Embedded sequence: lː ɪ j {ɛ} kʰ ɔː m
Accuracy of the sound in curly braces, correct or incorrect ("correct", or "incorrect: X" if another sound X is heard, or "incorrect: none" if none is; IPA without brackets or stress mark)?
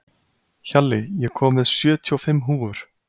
correct